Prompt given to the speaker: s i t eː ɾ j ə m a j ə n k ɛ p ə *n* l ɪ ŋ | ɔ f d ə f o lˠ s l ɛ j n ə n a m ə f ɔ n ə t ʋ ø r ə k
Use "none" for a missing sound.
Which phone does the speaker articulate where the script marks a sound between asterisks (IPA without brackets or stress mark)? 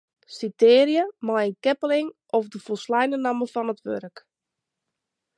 none